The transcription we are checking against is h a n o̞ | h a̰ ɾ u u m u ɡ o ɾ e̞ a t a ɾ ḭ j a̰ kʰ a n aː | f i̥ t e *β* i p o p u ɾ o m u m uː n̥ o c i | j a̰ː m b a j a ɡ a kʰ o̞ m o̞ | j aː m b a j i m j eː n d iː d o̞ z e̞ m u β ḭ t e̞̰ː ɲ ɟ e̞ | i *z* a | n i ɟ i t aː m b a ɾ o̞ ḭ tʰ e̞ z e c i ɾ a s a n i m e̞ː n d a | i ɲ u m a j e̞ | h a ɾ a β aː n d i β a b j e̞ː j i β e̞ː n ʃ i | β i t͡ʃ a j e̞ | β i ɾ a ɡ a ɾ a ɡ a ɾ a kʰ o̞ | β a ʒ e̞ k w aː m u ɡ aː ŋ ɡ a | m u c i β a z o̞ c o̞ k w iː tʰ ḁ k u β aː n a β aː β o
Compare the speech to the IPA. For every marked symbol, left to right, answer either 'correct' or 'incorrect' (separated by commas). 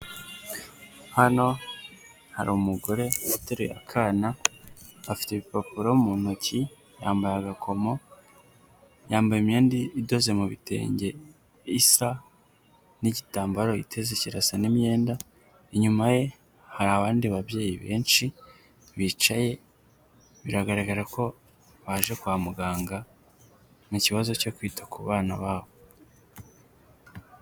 correct, incorrect